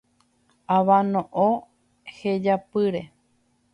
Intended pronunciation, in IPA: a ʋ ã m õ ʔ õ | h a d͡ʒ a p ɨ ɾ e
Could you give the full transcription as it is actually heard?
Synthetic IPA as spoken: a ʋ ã n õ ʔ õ | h e d͡ʒ a p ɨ ɾ e

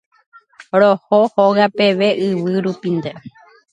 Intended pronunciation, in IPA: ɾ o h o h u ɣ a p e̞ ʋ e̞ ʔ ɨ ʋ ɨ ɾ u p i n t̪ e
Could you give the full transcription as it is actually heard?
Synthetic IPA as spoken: ɾ o h o h o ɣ a p e̞ ʋ e̞ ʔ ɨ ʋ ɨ ɾ u p i n d̪ e

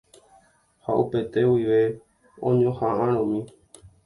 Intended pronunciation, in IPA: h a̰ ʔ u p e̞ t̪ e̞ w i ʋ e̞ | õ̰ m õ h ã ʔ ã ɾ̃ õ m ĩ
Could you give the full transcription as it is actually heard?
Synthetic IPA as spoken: h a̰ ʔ u p e̞ t̪ e̞ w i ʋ e̞ | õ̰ ɲ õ h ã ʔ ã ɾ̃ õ m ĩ

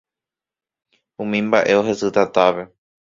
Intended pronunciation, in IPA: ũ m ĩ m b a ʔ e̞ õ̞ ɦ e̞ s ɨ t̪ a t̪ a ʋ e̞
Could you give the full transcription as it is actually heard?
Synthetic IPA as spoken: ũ m ĩ m b a ʔ e̞ o̞ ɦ e̞ s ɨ t̪ a t̪ a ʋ e̞

